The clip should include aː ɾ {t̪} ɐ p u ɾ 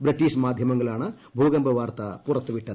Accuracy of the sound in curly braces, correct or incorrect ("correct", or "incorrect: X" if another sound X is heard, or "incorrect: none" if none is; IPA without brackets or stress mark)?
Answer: correct